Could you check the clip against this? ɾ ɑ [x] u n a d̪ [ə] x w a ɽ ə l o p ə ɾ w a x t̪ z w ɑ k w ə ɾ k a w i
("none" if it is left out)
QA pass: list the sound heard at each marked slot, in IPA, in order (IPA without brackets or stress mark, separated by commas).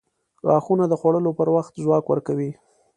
x, ə